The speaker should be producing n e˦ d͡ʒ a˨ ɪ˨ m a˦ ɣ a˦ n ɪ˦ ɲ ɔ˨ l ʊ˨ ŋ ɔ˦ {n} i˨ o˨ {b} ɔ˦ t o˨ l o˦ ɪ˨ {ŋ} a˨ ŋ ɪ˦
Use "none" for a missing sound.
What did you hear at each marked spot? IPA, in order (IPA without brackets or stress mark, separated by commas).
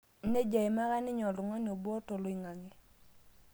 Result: n, b, ŋ